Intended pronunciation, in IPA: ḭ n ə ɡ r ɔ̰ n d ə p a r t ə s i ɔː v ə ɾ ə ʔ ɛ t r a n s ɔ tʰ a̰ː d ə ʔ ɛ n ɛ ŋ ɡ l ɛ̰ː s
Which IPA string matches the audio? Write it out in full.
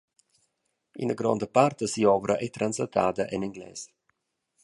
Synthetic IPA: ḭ n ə ɡ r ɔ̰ n d ə p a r t ə s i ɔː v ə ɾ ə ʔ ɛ t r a n s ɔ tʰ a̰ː d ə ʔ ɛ n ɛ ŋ ɡ l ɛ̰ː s